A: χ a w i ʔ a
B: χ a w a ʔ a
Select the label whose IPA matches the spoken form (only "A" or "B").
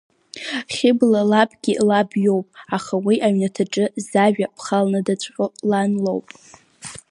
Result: A